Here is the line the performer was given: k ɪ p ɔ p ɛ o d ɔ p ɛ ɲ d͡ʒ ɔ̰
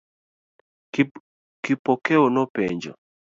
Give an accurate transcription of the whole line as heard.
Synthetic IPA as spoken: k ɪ p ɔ k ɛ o n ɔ p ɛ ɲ d͡ʒ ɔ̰